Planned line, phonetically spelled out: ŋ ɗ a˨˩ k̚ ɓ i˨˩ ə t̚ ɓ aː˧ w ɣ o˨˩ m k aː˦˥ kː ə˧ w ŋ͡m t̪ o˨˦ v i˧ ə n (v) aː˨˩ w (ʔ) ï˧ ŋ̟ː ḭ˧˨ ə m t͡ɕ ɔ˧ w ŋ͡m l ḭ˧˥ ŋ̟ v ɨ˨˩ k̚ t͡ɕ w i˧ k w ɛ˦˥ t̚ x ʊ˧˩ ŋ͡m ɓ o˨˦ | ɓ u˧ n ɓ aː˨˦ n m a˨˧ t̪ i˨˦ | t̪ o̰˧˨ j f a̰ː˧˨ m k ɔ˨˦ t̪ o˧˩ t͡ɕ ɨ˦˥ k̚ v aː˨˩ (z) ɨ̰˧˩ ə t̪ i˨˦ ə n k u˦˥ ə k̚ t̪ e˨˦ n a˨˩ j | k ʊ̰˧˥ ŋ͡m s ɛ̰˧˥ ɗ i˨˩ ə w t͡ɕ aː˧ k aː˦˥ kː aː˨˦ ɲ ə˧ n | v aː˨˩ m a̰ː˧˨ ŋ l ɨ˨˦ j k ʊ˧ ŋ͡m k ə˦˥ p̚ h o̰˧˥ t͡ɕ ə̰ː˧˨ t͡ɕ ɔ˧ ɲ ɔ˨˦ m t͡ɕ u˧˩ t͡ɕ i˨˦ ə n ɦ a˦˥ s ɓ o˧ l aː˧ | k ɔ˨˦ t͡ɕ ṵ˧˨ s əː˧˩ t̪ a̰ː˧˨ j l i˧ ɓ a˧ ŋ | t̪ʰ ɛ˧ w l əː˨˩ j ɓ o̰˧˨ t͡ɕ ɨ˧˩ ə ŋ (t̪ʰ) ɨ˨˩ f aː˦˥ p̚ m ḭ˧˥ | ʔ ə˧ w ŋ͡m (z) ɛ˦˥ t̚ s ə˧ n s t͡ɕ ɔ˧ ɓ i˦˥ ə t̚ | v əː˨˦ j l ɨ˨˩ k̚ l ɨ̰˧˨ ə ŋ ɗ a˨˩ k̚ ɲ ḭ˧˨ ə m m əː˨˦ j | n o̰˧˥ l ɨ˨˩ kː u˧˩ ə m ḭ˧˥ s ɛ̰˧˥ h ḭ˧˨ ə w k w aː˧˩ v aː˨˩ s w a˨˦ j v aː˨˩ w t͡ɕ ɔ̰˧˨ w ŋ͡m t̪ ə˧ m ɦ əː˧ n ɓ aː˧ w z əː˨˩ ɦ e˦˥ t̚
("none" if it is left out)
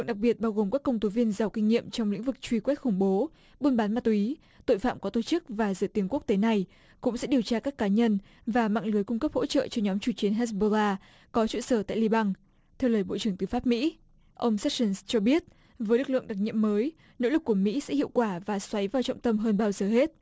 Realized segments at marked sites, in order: z, k, z, t̪, s

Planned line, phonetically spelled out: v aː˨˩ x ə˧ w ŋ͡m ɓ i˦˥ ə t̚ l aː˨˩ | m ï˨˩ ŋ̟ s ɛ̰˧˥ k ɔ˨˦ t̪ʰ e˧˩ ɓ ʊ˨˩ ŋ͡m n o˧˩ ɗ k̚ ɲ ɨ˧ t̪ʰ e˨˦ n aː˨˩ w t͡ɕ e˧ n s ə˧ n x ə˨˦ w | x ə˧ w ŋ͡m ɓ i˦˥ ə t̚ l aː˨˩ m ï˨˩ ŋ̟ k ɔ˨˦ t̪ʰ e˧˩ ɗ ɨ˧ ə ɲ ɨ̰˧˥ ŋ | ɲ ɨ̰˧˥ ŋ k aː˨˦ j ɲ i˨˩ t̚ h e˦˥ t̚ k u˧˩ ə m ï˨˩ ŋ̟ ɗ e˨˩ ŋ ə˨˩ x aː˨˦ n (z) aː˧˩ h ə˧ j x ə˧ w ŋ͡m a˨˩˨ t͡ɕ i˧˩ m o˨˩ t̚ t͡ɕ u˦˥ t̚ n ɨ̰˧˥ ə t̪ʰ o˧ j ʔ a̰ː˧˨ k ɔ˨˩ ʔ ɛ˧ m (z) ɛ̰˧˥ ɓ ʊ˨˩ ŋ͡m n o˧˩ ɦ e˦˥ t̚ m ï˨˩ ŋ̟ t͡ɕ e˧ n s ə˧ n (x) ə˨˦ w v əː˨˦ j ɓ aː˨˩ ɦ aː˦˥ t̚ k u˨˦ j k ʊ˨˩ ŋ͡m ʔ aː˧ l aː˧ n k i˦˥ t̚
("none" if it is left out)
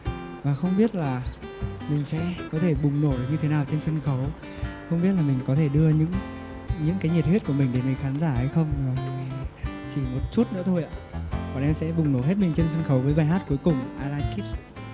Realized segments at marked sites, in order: z, s, x

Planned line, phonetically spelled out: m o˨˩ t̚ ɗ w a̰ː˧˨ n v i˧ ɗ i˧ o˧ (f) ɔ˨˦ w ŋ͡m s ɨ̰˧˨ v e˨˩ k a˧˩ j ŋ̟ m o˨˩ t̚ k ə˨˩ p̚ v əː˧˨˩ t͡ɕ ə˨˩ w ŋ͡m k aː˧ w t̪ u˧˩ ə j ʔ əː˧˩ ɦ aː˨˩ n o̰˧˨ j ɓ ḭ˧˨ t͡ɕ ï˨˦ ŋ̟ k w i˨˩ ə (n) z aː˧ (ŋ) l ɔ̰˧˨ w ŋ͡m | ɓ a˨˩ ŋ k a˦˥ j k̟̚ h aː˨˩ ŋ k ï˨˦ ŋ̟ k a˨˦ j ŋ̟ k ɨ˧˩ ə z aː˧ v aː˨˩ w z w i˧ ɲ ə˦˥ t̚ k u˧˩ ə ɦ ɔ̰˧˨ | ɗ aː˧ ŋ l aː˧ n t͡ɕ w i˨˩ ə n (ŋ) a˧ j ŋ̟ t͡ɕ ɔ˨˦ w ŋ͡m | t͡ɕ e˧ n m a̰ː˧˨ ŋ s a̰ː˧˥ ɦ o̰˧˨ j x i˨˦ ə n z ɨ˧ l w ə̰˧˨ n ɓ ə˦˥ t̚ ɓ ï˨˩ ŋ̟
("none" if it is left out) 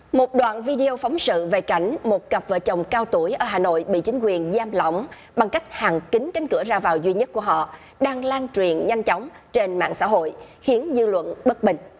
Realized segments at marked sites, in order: f, n, m, ɲ

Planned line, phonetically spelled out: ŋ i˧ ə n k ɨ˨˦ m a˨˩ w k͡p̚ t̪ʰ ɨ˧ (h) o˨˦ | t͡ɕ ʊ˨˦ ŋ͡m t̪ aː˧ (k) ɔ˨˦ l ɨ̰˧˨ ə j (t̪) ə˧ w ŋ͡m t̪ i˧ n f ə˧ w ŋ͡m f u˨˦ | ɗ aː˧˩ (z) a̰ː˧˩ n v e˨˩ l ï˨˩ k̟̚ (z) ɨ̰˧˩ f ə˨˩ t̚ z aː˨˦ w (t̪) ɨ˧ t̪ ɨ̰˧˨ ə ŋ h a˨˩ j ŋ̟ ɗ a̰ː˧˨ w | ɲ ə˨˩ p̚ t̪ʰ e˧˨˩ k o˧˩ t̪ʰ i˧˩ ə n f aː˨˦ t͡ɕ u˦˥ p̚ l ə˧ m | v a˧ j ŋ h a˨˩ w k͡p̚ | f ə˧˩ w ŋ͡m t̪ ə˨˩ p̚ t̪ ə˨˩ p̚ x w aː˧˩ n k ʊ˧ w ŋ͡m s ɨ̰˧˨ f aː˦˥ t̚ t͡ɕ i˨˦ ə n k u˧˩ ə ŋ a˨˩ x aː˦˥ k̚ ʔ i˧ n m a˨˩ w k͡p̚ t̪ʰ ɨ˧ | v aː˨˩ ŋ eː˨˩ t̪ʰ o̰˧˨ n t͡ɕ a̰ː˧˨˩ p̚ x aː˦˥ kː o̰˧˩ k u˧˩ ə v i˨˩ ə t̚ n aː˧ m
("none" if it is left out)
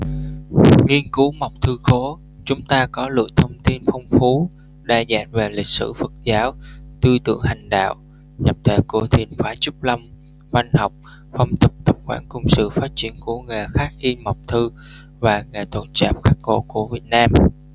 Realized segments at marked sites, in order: x, k, t̪ʰ, z, s, t̪

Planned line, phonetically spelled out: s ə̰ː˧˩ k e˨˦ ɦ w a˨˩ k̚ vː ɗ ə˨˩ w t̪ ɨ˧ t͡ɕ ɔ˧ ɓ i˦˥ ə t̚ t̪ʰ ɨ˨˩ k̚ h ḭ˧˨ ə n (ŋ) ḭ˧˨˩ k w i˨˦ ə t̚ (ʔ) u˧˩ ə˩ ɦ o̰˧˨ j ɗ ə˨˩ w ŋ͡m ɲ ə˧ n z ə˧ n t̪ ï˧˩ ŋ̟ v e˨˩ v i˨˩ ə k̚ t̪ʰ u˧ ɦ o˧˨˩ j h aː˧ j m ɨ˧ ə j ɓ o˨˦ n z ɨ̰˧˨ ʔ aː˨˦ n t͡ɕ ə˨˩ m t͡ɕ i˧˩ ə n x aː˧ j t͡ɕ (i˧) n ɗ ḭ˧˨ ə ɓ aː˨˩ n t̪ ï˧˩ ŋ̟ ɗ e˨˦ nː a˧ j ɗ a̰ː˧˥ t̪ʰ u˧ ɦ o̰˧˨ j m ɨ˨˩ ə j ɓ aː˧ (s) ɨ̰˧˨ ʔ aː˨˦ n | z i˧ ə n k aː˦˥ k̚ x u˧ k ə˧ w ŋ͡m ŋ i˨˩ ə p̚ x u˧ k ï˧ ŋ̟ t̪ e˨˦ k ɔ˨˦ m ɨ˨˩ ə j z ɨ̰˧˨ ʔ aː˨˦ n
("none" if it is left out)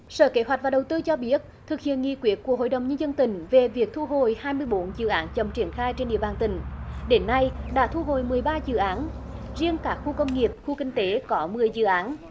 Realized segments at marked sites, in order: ŋ, k, e˧, z

